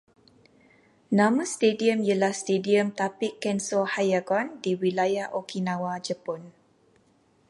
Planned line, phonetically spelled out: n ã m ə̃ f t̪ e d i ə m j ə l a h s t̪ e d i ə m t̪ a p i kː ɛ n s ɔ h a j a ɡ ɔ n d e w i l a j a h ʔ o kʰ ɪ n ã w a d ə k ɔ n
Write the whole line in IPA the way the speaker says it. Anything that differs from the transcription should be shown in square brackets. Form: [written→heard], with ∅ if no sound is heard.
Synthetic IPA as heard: n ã m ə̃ [f→s] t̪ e d i ə m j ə l a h s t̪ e d i ə m t̪ a p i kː ɛ n s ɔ h a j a ɡ ɔ n d [e→i] w i l a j a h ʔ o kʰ [ɪ→i] n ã w a [d→d͡ʒ] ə [k→p] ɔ n